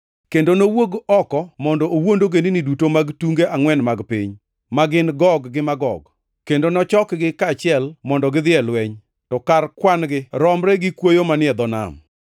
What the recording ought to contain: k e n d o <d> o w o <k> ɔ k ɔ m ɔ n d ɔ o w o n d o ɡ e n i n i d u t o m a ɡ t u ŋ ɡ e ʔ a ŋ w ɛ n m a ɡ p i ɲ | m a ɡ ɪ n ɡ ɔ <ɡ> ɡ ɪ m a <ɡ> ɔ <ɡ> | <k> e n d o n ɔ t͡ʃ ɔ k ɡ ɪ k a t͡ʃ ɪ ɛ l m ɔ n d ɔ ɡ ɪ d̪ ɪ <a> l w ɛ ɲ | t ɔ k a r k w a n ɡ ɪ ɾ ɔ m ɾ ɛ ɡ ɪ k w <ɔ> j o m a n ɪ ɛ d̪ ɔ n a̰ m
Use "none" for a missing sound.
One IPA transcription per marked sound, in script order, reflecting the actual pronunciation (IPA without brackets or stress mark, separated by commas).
n, ɡ, ɡ, ɡ, ɡ, k, ɛ, o